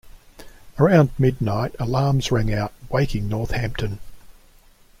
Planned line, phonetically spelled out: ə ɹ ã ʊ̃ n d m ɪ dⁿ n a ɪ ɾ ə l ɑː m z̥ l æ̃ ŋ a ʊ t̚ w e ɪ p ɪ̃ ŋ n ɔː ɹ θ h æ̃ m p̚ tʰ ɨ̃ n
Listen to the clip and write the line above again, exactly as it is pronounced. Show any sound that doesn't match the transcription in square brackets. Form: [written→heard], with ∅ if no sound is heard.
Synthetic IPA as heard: ə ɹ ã ʊ̃ n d m ɪ dⁿ n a ɪ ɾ ə l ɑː m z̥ [l→ɹ] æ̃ ŋ a ʊ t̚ w e ɪ [p→k] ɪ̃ ŋ n [ɔː→ɔ] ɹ θ h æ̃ m p̚ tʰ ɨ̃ n